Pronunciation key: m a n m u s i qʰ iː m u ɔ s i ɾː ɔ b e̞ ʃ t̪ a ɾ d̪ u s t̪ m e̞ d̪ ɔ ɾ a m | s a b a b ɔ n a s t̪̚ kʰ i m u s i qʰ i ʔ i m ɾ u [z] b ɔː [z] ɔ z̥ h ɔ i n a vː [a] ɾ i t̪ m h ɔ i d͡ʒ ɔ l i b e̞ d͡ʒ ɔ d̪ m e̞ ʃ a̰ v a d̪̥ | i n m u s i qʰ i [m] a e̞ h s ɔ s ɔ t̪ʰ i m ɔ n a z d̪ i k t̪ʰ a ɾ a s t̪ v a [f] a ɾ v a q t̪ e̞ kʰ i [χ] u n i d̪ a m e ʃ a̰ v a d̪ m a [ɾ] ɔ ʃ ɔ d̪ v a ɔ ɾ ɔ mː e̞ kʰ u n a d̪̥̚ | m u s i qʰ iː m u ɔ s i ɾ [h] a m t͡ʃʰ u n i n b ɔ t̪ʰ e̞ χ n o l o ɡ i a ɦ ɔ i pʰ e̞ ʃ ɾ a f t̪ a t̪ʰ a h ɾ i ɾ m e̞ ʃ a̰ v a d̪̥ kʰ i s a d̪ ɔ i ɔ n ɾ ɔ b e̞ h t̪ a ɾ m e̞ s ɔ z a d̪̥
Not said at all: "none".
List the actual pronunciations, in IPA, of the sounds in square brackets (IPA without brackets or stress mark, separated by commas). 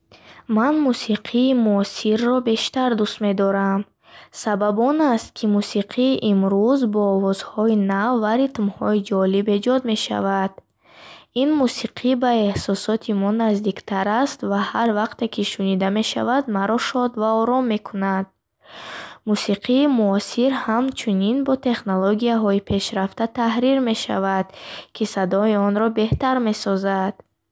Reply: z, v, a, b, h, ʃ, ɾ, h